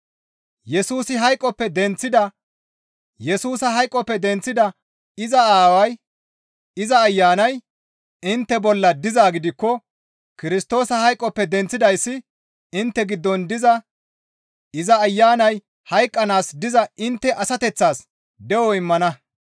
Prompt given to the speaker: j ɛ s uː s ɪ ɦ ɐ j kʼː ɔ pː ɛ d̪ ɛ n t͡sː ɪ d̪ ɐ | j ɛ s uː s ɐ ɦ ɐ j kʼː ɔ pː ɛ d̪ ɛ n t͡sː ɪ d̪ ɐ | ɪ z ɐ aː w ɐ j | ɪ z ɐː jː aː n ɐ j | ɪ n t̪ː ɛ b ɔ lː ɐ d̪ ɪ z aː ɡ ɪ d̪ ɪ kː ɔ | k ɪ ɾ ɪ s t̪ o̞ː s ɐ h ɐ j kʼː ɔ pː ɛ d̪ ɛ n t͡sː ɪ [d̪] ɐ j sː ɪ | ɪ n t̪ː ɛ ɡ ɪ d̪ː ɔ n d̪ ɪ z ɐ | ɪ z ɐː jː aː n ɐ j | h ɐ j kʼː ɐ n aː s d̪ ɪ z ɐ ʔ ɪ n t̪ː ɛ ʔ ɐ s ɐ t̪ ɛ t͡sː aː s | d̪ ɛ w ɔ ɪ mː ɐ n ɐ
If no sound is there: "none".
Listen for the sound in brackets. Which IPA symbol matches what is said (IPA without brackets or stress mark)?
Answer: d̪